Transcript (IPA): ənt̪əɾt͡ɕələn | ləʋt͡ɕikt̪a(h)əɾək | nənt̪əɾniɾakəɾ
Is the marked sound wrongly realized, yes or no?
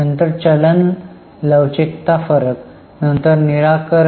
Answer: yes